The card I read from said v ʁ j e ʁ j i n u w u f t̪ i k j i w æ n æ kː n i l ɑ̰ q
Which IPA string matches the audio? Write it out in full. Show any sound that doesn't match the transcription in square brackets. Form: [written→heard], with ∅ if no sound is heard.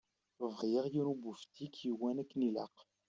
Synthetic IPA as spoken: v ʁ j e ʁ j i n u [w→b] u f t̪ i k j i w æ n æ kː n i l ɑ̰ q